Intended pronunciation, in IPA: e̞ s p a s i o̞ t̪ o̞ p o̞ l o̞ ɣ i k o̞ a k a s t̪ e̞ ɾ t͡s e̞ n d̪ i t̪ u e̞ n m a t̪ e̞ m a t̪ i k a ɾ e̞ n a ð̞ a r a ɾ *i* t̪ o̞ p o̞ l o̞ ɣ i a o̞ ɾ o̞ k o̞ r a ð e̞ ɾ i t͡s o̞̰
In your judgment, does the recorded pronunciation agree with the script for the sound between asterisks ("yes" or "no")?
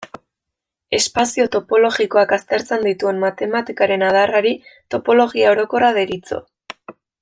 yes